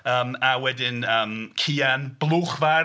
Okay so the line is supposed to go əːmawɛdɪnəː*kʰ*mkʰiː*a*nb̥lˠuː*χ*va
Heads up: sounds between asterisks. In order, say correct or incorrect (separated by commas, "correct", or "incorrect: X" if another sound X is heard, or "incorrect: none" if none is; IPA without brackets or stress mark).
incorrect: none, correct, correct